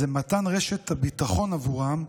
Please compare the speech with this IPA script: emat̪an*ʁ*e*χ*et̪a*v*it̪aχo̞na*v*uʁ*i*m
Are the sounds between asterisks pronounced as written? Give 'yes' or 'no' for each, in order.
yes, no, no, yes, no

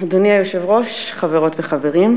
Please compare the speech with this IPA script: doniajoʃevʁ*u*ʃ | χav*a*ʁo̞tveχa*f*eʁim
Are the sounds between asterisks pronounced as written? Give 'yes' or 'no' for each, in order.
no, no, no

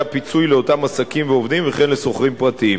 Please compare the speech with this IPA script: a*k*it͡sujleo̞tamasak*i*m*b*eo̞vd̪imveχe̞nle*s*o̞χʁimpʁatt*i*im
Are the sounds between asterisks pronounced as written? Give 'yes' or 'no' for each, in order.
no, yes, no, yes, yes

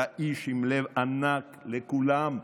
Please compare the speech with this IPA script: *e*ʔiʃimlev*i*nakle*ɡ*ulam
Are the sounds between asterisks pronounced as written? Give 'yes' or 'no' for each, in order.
no, no, no

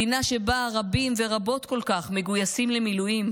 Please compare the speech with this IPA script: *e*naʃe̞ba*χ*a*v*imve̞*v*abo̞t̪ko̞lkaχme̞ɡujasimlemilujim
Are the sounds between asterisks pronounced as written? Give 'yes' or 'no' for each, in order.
no, no, no, no

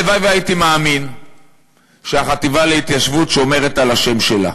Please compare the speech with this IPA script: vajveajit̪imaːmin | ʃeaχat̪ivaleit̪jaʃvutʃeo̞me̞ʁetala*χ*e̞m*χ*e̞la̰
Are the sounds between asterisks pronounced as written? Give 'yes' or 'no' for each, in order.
no, no

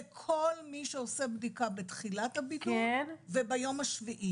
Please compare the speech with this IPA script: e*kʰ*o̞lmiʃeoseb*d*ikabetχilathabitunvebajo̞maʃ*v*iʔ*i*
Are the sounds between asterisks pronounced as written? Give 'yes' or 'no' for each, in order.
yes, yes, yes, yes

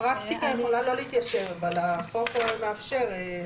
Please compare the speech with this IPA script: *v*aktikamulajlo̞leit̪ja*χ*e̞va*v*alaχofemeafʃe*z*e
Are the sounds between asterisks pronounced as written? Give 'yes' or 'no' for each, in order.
no, no, yes, no

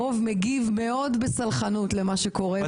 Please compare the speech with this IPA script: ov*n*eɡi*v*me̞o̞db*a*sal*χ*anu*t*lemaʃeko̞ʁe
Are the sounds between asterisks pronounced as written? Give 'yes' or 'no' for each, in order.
no, yes, no, yes, yes

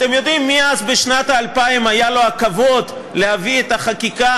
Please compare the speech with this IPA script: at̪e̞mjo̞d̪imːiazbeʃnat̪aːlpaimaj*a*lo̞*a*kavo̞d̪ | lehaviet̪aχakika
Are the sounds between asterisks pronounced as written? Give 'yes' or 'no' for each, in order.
yes, yes

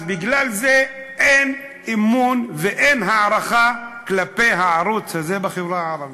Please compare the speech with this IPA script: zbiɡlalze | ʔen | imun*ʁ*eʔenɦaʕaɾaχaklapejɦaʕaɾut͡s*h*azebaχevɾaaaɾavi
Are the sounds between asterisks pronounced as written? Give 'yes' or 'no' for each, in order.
no, yes

